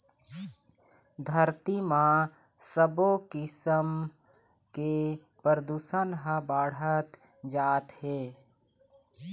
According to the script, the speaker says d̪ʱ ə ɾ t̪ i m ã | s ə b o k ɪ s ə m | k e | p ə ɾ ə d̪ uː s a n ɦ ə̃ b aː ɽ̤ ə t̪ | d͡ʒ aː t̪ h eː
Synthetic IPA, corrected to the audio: d̪ʱ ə ɾ t̪ i m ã | s ə b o k ɪ s ə m | k e | p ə ɾ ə d̪ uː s ə n ɦ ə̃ b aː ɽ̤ ə t̪ | d͡ʒ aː t̪ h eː